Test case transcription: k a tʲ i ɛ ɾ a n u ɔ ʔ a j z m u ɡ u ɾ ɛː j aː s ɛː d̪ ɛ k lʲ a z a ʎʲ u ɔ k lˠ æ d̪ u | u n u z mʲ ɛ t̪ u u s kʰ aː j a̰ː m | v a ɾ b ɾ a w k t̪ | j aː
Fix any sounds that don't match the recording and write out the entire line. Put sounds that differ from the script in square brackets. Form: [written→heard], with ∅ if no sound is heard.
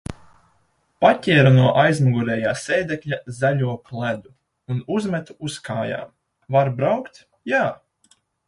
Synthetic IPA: [k→p] a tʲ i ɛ ɾ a n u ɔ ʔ a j z m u ɡ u ɾ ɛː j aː s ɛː d̪ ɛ k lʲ a z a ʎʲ u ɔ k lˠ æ d̪ u | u n u z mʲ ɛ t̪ u u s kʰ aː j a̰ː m | v a ɾ b ɾ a w k t̪ | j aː

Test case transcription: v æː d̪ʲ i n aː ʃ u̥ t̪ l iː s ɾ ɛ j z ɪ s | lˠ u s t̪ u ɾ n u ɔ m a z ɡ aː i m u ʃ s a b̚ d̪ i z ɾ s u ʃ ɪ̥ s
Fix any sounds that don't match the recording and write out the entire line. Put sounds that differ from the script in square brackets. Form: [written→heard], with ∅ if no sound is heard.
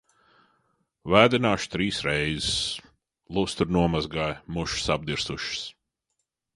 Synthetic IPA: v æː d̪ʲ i n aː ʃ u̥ t̪ [l→ɾ] iː s ɾ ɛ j z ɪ s | lˠ u s t̪ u ɾ n u ɔ m a z ɡ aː [i→j] m u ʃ s a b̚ d̪ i [z→∅] ɾ s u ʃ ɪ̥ s

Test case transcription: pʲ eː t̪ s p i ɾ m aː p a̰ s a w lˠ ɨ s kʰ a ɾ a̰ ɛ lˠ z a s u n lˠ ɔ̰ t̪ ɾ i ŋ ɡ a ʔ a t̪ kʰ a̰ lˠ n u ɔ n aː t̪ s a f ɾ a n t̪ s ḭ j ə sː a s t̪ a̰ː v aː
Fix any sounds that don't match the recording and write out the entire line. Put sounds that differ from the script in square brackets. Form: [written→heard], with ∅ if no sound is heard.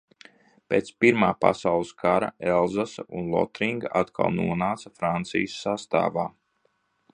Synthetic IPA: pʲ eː t̪ s p i ɾ m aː p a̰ s a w lˠ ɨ s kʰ a ɾ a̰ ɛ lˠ z a s u n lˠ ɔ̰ t̪ ɾ i ŋ ɡ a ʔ a t̪ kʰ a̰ lˠ n u ɔ n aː t̪ s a f ɾ a n t̪ s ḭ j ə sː a s t̪ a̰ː v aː

